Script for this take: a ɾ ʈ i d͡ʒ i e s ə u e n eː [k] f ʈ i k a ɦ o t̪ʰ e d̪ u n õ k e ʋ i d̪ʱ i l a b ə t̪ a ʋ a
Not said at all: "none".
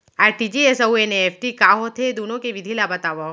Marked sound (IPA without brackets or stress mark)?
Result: none